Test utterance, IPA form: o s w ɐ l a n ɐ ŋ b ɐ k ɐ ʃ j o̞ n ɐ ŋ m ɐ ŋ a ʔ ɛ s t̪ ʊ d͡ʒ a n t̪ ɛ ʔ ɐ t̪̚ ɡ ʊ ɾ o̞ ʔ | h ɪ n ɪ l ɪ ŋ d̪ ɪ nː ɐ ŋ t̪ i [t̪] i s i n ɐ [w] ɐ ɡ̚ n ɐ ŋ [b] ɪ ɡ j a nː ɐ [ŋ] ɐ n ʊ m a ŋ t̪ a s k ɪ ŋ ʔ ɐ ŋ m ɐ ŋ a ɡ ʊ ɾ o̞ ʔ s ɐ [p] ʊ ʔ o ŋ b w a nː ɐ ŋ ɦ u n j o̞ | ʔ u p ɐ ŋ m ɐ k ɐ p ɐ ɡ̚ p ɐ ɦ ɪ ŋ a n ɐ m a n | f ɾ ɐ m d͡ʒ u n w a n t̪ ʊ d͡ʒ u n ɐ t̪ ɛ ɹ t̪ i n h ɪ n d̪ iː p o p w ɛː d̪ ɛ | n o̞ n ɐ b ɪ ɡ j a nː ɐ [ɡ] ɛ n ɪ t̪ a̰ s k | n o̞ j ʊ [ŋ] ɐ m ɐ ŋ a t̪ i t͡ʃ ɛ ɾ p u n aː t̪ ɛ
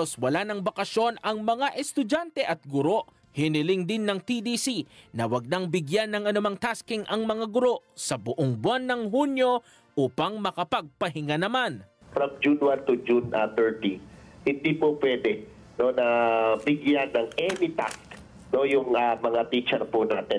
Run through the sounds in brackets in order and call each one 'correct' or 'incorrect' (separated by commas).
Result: incorrect, correct, correct, correct, incorrect, incorrect, correct